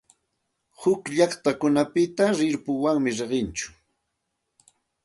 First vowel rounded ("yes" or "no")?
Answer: yes